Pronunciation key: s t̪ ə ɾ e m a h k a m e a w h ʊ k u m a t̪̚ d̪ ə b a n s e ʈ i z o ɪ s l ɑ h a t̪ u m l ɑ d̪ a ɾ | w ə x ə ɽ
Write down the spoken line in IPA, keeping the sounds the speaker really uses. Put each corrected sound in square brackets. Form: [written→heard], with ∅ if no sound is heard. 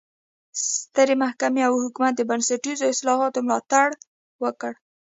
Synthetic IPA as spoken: s t̪ ə ɾ e m a h k a m e a w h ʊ k u m a t̪̚ d̪ ə b a n s [e→a] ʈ i z o ɪ s l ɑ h [a→ɑ] t̪ [u→o] m l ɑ [d̪→t̪] a [ɾ→ɽ] | w ə [x→k] ə ɽ

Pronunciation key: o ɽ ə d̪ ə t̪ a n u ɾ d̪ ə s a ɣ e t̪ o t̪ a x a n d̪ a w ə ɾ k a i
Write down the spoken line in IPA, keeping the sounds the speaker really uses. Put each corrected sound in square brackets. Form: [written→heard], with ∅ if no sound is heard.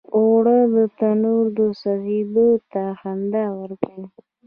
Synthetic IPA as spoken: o ɽ ə d̪ ə t̪ a n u ɾ d̪ ə s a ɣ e [t̪→d̪] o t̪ a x a n d̪ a w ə ɾ k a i

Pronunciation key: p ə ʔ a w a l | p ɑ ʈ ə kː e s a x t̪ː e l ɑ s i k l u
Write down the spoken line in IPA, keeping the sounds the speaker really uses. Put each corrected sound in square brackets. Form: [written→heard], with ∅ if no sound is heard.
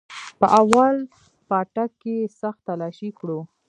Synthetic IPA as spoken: p ə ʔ a w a l | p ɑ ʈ [ə→a] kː e s a x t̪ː [e→a] l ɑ [s→ʃ] i k [l→ɽ] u

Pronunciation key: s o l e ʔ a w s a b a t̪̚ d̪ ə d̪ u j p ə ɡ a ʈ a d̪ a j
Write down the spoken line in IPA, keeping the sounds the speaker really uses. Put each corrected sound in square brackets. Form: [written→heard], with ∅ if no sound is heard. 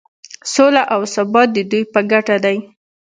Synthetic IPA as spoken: s o l [e→a] ʔ a w s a b [a→ɑ] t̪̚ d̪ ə d̪ u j p ə ɡ a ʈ a d̪ a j

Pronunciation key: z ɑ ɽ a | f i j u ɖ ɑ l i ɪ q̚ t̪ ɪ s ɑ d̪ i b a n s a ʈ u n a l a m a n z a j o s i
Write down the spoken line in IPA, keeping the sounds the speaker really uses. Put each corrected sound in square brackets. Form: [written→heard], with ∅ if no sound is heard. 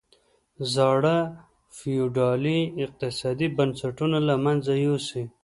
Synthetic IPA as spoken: z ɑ ɽ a | f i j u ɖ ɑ l i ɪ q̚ t̪ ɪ s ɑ d̪ i b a n s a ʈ u n a l a m a n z a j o s i

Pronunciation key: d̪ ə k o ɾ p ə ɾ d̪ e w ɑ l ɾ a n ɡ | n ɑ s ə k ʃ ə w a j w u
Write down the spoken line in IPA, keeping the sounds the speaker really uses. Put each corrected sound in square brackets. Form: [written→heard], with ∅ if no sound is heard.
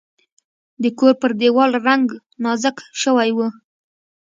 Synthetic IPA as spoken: d̪ ə k o ɾ p ə ɾ d̪ e w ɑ l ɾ a [n→ŋ] ɡ | n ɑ [s→z] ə k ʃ ə w a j w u

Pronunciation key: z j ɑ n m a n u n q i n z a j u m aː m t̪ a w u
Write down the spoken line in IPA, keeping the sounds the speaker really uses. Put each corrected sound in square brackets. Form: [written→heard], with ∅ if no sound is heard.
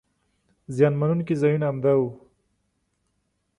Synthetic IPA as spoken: z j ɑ n m a n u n [q→k] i [n→∅] z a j u [m→n] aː m [t̪→d̪] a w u

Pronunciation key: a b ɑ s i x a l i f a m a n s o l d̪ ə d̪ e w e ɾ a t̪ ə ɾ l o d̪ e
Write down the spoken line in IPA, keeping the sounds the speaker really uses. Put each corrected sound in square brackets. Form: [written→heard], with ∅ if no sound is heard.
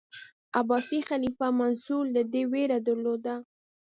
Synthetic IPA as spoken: a b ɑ s i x a l i f a m a n s [o→u] l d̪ ə d̪ e w e ɾ a [t̪→d̪] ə ɾ l o d̪ [e→a]

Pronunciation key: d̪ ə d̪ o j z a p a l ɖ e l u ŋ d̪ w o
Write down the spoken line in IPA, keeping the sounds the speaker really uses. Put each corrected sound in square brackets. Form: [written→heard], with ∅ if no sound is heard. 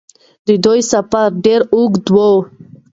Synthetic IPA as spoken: d̪ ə d̪ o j [z→s] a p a [l→ɾ] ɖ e [l→ɾ] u [ŋ→ɡ] d̪ w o

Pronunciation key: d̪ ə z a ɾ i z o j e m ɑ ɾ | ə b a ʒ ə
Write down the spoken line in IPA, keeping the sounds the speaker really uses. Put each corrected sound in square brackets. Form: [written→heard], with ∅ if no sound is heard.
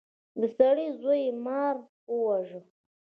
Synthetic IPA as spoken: d̪ ə [z→s] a [ɾ→ɽ] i z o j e m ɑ ɾ | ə [b→w] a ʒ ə

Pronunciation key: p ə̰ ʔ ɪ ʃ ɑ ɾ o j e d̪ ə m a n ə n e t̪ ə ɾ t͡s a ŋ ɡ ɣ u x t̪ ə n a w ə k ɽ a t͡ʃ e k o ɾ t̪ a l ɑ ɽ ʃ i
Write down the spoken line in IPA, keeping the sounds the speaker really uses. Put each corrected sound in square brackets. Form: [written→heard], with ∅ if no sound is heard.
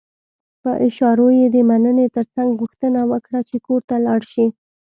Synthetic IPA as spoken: p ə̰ ʔ ɪ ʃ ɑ ɾ o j e d̪ ə m a n ə n e t̪ ə ɾ t͡s a ŋ ɡ ɣ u x t̪ ə n a w ə k ɽ a t͡ʃ e k o ɾ t̪ a l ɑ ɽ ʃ i

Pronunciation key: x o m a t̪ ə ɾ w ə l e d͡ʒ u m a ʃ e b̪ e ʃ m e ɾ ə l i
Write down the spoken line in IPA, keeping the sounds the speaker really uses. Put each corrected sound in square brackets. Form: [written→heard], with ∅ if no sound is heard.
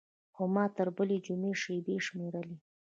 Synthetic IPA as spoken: x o m [a→ɑ] t̪ ə ɾ [w→b] ə l e d͡ʒ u m [a→e] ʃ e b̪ e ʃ m e ɾ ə l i

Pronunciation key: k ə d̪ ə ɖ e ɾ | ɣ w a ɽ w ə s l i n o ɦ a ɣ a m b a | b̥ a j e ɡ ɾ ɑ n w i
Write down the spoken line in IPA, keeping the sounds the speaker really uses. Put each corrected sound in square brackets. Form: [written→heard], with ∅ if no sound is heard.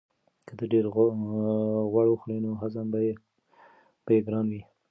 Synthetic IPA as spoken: k ə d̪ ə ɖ e ɾ | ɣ w a ɽ w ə [s→x] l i n o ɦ a [ɣ→z] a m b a | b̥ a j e ɡ ɾ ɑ n w i

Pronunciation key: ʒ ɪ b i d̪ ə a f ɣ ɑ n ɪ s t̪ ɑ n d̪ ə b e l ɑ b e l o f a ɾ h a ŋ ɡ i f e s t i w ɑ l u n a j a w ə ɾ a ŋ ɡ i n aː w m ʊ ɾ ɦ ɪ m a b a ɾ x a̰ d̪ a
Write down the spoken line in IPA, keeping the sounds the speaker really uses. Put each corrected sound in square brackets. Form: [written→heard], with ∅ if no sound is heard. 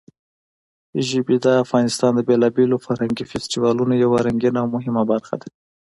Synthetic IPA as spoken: ʒ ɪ b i d̪ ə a f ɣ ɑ n ɪ s t̪ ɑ n d̪ ə b e l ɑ b e l o f a ɾ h a ŋ ɡ i f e s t i w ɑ l u n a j a w [ə→a] ɾ a ŋ ɡ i n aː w m ʊ [ɾ→∅] ɦ ɪ m a b a ɾ x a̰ d̪ a

